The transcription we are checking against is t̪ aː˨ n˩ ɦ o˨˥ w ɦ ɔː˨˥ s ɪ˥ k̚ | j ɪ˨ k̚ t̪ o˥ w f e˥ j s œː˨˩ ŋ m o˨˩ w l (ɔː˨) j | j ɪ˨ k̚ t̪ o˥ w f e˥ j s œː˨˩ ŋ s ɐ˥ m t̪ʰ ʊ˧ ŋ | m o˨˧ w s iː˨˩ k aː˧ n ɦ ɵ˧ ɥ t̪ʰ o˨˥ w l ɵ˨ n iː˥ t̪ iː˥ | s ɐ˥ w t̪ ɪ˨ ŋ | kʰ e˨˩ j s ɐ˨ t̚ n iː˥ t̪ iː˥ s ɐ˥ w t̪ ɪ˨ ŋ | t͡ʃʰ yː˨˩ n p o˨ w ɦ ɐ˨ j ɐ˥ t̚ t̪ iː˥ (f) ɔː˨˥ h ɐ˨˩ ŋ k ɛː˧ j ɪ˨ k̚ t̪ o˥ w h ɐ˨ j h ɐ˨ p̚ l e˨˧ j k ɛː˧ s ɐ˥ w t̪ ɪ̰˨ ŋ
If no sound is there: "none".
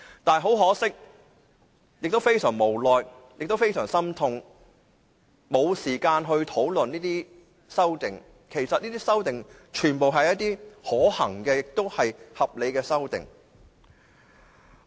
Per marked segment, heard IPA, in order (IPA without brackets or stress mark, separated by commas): ɔː˨, h